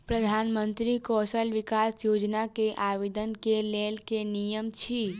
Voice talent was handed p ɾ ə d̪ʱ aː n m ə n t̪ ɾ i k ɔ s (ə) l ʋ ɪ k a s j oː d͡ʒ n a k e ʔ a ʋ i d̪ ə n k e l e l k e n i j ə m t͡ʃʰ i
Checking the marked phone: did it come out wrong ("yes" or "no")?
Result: no